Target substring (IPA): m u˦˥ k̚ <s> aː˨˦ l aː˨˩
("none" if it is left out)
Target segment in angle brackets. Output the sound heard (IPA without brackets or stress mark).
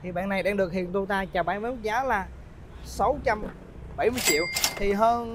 z